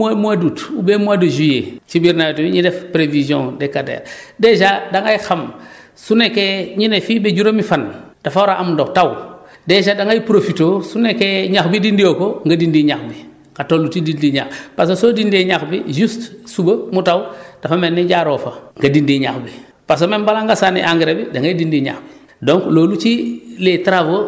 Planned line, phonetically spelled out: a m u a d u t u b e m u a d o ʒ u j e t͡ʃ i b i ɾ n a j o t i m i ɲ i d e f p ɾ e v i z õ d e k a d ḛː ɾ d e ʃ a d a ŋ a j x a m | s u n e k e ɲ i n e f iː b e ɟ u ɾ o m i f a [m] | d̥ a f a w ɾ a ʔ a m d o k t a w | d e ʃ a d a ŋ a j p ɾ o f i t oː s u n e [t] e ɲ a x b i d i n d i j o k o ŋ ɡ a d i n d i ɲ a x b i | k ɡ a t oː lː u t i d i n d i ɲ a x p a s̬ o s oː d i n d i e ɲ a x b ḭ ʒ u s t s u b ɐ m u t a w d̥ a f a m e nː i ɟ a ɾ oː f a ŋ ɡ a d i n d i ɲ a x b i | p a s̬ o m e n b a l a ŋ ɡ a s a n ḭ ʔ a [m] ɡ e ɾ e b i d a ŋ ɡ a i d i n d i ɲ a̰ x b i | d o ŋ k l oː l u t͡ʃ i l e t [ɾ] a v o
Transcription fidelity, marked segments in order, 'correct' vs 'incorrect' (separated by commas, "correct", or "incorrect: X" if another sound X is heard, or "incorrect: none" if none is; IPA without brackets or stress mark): incorrect: n, incorrect: k, incorrect: ŋ, correct